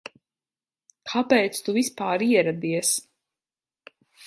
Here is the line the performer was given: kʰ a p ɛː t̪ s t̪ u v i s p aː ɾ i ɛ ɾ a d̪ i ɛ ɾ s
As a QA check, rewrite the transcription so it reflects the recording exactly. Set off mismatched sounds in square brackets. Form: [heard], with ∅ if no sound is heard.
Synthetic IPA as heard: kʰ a p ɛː t̪ s t̪ u v i s p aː ɾ i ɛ ɾ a d̪ i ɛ [∅] s

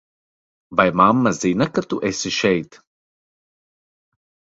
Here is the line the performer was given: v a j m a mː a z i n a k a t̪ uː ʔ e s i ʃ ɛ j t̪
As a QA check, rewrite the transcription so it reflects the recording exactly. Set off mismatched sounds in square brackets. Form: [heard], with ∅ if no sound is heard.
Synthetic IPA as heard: v a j m a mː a z i n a k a t̪ [u] ʔ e s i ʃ ɛ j t̪

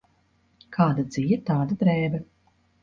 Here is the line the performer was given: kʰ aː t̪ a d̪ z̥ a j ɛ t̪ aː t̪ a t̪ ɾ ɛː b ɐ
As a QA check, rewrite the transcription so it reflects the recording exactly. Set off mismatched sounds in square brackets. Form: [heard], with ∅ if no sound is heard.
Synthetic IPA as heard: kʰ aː [d̪] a d̪ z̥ [i] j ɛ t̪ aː [d̪] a [d̪] ɾ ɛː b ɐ

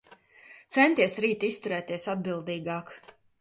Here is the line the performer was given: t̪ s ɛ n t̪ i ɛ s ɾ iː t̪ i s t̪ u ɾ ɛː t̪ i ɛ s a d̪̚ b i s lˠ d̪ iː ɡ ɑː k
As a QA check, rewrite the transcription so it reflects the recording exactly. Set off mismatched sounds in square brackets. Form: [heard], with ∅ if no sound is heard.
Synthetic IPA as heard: t̪ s ɛ n t̪ i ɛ s ɾ iː t̪ i s t̪ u ɾ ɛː t̪ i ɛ s a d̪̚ b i [∅] lˠ d̪ iː ɡ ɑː k

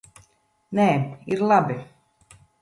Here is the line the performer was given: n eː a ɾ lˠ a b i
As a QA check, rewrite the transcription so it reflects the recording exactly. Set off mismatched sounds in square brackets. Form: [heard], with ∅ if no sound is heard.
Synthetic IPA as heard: n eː [i] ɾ lˠ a b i

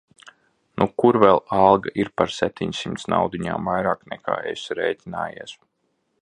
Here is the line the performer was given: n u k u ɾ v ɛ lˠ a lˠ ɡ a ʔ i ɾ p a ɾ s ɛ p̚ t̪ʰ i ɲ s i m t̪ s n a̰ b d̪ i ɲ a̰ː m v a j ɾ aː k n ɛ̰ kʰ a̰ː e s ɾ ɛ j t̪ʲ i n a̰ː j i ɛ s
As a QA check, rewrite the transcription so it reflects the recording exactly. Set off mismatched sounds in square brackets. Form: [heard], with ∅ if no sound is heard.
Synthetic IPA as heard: n u k u ɾ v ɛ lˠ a lˠ ɡ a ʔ i ɾ p a ɾ s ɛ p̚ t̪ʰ i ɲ s i m t̪ s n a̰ [w] d̪ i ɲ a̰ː m v a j ɾ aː k n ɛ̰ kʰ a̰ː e s ɾ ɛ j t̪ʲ i n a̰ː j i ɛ s

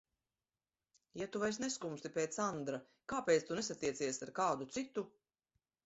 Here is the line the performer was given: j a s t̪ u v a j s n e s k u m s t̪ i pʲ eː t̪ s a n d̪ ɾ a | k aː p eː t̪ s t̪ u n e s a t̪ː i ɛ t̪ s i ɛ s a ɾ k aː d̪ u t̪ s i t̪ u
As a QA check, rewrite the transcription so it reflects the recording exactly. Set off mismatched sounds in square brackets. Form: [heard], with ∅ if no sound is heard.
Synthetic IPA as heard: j a [∅] t̪ u v a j s n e s k u m s t̪ i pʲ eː t̪ s a n d̪ ɾ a | k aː p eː t̪ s t̪ u n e s a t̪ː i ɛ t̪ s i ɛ s a ɾ k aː d̪ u t̪ s i t̪ u

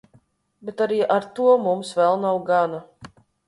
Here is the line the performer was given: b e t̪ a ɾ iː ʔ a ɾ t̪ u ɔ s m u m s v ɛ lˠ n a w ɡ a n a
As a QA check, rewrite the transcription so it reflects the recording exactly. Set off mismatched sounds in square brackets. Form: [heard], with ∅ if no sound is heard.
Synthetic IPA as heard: b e t̪ a ɾ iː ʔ a ɾ t̪ u ɔ [∅] m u m s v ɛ lˠ n a w ɡ a n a

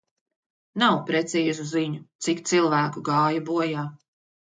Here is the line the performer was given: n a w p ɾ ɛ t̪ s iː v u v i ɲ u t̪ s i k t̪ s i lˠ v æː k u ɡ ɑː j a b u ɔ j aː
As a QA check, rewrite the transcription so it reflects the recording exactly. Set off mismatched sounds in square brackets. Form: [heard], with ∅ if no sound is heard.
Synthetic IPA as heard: n a w p ɾ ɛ t̪ s iː [z] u [z] i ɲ u t̪ s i k t̪ s i lˠ v æː k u ɡ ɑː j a b u ɔ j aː

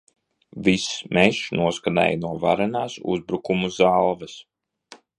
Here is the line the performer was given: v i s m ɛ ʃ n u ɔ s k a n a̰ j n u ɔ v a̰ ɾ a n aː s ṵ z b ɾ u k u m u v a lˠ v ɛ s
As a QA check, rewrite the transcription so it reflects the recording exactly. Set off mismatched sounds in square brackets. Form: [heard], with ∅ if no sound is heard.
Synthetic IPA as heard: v i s m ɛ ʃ n u ɔ s k a n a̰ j n u ɔ v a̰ ɾ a n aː s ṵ z b ɾ u k u m u [z] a lˠ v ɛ s

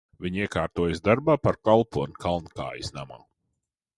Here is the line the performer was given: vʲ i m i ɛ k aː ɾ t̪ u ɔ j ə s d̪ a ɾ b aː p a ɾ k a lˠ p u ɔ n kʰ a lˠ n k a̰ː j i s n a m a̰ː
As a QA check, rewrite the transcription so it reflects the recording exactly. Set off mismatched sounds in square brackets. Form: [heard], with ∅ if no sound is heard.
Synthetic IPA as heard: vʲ i [ɲ] i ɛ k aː ɾ t̪ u ɔ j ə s d̪ a ɾ b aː p a ɾ k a lˠ p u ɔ n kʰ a lˠ n k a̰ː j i s n a m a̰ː

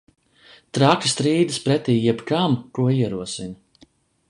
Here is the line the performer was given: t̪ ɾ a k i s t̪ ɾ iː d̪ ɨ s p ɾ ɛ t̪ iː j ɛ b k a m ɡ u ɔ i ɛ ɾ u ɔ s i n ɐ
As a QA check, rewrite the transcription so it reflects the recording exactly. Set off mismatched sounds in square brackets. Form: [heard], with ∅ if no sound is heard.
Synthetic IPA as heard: t̪ ɾ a k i s t̪ ɾ iː d̪ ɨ s p ɾ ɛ t̪ iː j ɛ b k a m [k] u ɔ i ɛ ɾ u ɔ s i n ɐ

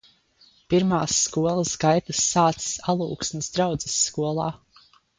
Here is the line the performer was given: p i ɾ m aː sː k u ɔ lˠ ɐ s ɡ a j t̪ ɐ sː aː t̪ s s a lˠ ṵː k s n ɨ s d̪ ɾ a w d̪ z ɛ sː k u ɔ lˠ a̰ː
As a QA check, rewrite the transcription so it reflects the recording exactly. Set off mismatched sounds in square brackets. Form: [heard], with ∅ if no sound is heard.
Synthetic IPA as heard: p i ɾ m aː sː k u ɔ lˠ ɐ s ɡ a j t̪ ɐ sː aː t̪ s s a lˠ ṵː k s n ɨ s d̪ ɾ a w d̪ z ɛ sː k u ɔ lˠ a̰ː

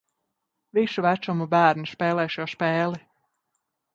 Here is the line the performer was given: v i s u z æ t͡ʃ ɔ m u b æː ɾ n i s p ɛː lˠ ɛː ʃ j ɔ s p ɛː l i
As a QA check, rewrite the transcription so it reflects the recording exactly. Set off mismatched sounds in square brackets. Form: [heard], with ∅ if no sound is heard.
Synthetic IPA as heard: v i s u [v] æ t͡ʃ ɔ m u b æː ɾ n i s p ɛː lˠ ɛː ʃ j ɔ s p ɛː l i

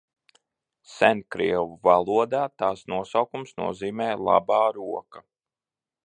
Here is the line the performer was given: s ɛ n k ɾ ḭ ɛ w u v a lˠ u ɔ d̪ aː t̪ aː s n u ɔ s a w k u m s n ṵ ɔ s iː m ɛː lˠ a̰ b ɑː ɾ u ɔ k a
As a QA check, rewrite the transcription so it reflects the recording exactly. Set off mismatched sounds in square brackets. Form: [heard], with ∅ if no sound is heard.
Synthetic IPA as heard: s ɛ n k ɾ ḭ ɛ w u v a lˠ u ɔ d̪ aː t̪ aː s n u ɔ s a w k u m s n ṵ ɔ [z] iː m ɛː lˠ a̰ b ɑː ɾ u ɔ k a

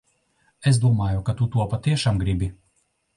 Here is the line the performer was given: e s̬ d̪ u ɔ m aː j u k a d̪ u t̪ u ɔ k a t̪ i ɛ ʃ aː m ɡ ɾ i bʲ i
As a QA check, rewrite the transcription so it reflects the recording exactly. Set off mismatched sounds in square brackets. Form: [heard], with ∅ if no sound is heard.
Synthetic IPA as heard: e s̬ d̪ u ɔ m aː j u k a [t̪] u t̪ u ɔ [p] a t̪ i ɛ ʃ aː m ɡ ɾ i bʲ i

